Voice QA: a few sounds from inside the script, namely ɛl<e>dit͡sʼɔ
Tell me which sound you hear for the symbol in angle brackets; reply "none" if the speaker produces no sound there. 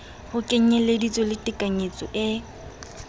e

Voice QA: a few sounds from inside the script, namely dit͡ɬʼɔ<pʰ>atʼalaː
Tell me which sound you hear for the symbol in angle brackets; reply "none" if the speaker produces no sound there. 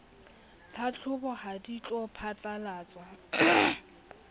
pʰ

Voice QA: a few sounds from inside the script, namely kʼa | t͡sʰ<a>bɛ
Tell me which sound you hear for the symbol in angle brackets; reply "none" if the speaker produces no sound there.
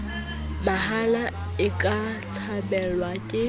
a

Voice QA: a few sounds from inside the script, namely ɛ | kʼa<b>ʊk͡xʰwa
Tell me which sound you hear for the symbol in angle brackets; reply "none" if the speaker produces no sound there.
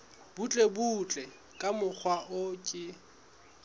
m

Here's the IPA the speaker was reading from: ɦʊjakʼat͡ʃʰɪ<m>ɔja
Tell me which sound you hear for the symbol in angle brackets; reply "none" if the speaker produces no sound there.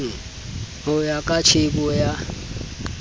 b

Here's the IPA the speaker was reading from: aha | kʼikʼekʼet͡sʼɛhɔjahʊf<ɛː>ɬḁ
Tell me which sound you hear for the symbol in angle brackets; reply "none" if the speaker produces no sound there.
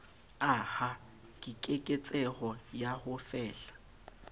ɛː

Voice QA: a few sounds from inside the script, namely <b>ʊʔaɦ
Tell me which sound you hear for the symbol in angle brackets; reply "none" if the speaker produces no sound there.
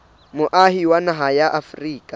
m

